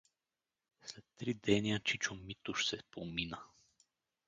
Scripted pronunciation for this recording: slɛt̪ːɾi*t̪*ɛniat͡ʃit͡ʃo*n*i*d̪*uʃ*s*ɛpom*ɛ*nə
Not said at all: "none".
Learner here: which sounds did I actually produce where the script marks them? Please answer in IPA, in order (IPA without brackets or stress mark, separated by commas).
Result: d̪, m, t̪, s, i